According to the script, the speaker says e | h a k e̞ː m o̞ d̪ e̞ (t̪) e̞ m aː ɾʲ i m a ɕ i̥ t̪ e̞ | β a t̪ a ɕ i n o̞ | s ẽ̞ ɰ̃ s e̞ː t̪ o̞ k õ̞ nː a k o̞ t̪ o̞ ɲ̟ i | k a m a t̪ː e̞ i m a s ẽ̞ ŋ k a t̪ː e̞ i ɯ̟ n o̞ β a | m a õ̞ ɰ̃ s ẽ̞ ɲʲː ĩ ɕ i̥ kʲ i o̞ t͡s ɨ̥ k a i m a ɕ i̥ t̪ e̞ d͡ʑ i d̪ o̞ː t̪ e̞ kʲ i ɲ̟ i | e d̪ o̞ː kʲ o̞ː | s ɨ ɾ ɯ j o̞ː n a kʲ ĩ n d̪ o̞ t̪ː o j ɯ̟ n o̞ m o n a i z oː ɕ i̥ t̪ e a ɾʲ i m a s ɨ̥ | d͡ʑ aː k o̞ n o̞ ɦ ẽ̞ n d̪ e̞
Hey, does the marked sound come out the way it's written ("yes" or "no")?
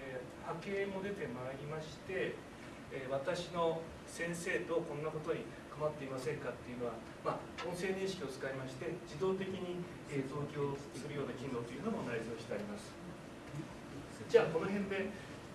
yes